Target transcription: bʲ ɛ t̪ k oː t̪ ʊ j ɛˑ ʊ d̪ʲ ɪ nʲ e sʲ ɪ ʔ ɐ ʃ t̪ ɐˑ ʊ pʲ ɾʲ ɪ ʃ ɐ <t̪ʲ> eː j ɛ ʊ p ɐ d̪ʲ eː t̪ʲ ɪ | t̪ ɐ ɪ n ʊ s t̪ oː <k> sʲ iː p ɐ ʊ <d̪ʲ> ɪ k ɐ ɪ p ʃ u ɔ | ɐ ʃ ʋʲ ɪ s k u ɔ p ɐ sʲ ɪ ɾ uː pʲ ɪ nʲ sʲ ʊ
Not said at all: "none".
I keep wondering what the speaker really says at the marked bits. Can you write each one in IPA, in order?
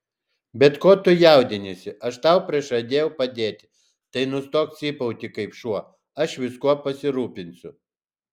d̪ʲ, k, t̪ʲ

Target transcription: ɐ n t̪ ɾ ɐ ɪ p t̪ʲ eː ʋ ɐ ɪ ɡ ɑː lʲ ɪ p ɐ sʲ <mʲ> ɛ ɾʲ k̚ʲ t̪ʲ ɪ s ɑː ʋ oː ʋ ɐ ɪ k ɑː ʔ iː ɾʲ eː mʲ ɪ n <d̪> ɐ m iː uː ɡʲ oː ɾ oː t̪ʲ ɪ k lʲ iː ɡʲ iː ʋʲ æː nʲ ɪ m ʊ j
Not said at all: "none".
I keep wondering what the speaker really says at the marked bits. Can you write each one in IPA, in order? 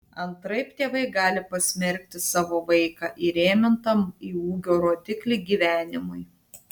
mʲ, t̪

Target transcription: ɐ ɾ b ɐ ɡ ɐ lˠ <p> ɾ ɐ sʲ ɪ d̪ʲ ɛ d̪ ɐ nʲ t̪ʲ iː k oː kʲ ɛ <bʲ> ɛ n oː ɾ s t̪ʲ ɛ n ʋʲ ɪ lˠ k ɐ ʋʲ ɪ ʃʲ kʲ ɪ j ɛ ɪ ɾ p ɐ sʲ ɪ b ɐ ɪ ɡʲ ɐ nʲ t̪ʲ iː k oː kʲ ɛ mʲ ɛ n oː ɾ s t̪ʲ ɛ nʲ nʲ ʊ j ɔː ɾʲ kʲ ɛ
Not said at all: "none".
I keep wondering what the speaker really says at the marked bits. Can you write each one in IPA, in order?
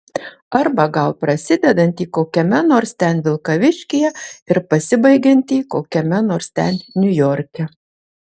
p, mʲ

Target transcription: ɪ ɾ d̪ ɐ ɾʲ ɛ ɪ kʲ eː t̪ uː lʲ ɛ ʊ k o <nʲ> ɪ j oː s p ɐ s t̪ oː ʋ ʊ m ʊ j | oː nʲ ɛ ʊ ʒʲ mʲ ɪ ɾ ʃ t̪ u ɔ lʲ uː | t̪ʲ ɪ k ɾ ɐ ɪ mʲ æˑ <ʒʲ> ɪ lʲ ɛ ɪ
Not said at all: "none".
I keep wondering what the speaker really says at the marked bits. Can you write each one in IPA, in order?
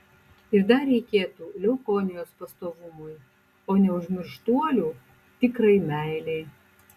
nʲ, none

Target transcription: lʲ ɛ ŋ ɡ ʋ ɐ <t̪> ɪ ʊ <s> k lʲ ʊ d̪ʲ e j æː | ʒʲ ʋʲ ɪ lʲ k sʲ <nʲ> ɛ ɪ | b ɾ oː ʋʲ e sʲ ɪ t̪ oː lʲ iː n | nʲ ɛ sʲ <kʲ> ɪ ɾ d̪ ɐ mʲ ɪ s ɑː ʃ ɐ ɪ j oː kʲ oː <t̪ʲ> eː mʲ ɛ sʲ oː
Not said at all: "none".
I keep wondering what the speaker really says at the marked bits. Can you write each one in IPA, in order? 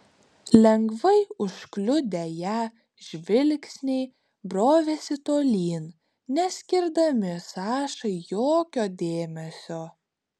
none, ʃ, nʲ, kʲ, d̪ʲ

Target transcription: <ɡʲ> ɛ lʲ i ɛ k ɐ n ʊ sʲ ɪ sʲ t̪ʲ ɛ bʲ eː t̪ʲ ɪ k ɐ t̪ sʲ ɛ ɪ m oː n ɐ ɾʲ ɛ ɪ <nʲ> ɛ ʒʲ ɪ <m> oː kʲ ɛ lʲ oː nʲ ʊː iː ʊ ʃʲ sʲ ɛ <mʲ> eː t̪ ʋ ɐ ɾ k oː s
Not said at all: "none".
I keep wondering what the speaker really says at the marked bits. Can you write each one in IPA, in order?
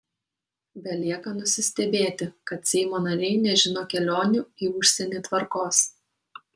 bʲ, nʲ, n, nʲ

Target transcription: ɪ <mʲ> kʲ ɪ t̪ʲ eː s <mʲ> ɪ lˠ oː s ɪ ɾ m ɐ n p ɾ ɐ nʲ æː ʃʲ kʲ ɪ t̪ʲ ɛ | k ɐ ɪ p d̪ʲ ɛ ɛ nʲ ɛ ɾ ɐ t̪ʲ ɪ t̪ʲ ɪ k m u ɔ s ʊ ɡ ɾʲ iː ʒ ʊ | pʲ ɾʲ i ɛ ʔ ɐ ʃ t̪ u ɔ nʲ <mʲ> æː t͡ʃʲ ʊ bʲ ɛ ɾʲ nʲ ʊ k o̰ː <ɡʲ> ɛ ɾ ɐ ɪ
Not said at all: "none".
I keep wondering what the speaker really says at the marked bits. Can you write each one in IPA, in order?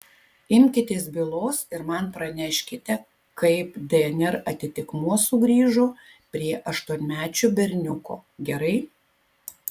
mʲ, bʲ, mʲ, ɡʲ

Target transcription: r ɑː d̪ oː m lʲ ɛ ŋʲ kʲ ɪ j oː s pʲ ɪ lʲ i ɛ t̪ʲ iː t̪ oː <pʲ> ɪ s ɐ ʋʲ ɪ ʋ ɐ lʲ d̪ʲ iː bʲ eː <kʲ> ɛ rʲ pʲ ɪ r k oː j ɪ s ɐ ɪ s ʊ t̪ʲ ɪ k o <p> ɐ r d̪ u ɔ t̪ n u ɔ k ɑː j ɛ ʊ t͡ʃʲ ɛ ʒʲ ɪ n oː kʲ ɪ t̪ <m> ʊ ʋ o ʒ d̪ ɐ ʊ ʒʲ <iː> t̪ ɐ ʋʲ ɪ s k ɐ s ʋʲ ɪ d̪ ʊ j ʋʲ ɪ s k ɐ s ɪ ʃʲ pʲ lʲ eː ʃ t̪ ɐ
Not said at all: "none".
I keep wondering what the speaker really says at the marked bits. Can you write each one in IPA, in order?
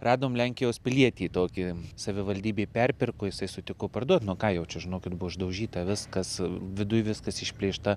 kʲ, pʲ, p, b, iː

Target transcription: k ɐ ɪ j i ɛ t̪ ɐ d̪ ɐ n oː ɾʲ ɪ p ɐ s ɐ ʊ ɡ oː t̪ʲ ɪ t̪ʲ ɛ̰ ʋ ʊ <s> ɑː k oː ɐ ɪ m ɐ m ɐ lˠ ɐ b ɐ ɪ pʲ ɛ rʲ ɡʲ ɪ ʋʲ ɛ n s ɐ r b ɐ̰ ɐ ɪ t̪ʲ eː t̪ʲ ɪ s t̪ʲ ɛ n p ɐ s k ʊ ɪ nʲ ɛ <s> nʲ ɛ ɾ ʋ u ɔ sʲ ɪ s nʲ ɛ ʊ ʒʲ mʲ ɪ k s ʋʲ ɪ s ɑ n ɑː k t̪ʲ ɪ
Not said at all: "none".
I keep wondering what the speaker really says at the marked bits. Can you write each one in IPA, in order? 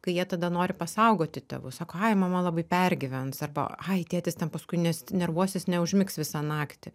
s, s

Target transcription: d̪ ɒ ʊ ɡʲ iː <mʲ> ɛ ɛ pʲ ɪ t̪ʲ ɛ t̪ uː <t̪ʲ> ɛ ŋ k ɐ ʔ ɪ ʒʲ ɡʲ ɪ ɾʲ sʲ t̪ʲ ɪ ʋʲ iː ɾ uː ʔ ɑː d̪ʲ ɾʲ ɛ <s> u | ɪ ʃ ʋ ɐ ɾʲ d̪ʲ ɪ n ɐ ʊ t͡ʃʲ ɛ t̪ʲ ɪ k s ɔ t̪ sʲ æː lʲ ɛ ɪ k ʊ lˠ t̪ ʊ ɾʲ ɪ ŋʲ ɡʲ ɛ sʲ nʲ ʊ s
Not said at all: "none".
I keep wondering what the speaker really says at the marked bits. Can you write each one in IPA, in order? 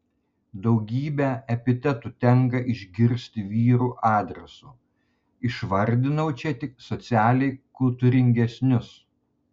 bʲ, t̪ʲ, s

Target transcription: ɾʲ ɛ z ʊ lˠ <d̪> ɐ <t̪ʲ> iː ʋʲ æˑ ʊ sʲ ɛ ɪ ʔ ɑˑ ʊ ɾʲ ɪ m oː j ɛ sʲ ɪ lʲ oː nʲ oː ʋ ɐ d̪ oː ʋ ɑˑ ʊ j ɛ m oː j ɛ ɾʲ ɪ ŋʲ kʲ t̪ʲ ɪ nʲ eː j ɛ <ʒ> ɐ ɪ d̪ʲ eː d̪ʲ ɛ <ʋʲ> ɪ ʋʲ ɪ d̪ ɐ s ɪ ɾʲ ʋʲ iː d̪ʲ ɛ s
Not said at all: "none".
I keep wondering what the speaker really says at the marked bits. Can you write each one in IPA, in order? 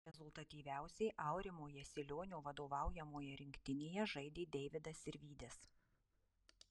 t̪, t̪ʲ, ʒ, none

